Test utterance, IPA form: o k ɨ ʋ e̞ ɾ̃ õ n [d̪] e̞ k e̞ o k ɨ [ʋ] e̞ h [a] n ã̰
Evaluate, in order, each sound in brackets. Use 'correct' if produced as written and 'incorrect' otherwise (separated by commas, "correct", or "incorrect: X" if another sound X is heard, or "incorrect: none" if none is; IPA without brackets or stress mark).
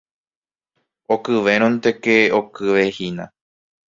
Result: incorrect: t̪, correct, incorrect: i